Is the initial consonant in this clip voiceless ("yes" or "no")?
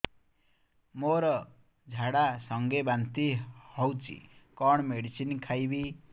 no